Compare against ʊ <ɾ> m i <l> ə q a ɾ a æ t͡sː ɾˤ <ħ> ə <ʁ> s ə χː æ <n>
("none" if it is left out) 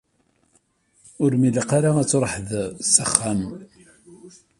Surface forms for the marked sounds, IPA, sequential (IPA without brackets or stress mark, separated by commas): ɾ, l, ħ, ð, m